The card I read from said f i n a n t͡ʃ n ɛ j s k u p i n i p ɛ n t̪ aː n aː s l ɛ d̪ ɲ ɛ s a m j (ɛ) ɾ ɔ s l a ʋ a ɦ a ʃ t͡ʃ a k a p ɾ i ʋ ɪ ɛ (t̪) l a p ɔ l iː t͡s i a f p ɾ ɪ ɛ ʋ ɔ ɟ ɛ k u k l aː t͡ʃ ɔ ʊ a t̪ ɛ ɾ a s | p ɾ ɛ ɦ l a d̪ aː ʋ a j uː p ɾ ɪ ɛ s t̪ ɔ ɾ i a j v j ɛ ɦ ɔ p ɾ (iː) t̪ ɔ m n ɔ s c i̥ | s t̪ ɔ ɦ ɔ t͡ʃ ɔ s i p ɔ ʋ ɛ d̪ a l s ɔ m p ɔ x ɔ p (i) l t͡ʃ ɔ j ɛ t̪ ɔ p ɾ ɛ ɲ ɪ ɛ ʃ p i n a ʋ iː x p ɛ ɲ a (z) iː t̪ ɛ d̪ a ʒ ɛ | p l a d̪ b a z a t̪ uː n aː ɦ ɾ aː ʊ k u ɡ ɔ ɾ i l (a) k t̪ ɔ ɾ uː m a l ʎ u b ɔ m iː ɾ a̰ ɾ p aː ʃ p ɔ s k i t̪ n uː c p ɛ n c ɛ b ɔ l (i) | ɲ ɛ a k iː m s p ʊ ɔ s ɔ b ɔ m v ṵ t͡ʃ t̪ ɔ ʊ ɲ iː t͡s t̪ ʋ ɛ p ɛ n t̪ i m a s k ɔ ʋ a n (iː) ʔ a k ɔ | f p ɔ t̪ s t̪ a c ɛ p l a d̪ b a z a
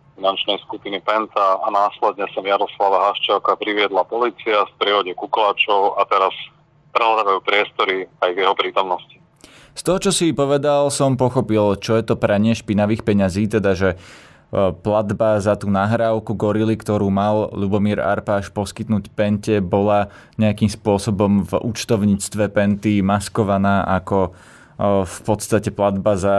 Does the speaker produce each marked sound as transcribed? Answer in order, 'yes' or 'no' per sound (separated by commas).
no, no, yes, yes, yes, no, no, no